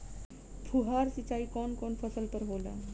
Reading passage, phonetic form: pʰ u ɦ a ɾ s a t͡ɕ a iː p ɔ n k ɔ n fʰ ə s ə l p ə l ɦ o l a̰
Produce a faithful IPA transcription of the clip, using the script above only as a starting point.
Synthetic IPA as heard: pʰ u ɦ a ɾ s i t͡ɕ a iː k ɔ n k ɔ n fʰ ə s ə l p ə ɾ ɦ o l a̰